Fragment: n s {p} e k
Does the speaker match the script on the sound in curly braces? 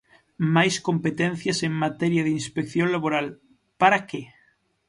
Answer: yes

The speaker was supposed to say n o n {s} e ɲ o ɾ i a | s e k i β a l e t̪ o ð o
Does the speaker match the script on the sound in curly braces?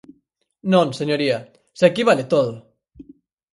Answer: yes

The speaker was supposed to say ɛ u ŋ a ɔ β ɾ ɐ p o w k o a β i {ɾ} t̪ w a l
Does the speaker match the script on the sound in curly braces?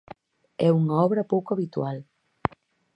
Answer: no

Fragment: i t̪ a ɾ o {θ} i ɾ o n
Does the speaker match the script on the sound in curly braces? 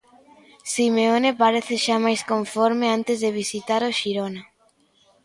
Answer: no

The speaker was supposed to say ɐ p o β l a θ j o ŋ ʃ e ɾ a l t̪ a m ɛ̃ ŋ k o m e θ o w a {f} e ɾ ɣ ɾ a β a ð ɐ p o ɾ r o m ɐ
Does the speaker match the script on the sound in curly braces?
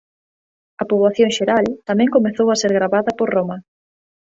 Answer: no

